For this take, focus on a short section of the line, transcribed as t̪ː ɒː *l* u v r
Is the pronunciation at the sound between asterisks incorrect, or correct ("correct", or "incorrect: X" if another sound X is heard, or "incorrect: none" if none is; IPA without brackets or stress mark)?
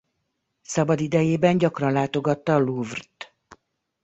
correct